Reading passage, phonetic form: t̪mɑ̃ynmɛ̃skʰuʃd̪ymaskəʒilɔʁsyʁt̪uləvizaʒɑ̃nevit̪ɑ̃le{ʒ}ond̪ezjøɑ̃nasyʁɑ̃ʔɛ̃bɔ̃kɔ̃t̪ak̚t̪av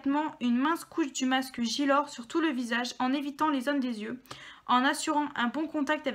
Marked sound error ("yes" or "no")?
yes